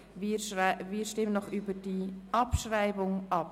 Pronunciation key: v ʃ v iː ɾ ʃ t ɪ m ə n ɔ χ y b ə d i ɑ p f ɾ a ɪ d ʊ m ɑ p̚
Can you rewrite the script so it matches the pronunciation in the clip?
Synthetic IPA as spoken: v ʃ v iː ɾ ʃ t ɪ m ə n ɔ χ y b ə d i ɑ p ʃ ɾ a ɪ b ʊ ŋ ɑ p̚